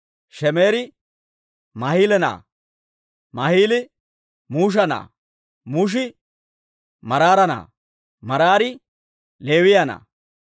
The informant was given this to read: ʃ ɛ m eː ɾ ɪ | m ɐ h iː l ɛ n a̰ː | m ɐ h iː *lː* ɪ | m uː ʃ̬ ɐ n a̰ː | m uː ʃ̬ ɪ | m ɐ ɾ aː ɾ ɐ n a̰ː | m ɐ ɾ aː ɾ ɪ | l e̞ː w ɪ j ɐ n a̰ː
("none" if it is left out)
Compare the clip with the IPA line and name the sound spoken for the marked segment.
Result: l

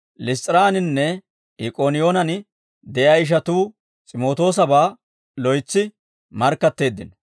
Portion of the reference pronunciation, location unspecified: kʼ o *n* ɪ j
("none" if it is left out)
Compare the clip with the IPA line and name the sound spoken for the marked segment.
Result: n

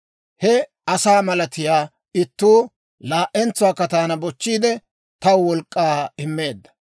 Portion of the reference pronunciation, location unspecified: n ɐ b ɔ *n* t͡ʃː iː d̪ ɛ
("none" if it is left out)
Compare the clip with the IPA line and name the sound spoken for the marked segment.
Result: none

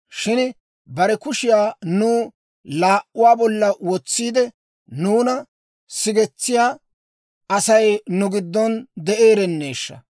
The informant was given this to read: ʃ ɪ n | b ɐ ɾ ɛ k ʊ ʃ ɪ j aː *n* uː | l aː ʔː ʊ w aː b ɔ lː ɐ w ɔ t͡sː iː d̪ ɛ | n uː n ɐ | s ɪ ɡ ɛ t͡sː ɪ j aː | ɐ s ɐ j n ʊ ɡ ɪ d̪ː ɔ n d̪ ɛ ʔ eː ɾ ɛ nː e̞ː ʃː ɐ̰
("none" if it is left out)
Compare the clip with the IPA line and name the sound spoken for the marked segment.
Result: n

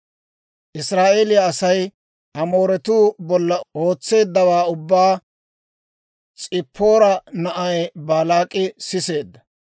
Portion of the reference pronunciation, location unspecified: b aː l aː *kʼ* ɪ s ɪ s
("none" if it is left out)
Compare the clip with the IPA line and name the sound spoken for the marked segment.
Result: kʼ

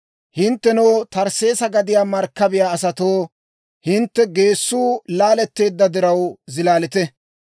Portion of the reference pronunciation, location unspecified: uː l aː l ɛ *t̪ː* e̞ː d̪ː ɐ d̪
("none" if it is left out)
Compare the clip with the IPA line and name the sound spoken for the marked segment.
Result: t̪ː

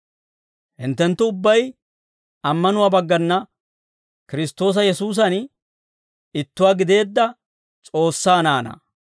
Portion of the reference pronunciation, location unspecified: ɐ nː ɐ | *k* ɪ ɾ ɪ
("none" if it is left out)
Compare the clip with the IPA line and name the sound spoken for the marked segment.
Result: k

